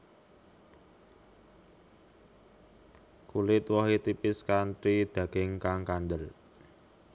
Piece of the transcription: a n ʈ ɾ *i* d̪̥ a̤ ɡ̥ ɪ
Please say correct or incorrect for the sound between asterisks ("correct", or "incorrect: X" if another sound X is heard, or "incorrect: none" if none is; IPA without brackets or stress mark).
correct